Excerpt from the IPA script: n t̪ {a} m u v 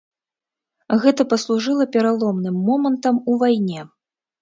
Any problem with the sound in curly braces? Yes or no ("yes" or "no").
yes